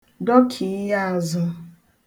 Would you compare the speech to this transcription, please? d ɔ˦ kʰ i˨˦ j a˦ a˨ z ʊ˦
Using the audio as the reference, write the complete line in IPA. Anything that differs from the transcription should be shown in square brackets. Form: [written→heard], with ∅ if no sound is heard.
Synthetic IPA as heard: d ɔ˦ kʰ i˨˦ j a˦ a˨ z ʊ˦